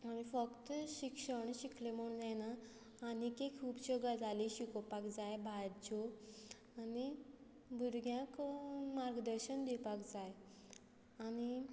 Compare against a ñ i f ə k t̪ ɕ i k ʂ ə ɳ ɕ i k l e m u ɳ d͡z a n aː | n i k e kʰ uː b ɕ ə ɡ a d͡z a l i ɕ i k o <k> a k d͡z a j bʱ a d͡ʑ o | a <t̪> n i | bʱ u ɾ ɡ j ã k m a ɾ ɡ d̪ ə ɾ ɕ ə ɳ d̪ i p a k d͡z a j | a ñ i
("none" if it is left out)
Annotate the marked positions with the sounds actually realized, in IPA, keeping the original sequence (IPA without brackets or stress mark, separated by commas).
p, none